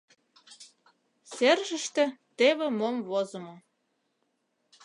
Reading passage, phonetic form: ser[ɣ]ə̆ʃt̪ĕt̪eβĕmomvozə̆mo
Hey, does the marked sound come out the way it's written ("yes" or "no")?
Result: no